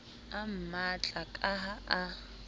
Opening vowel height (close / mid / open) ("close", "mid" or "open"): open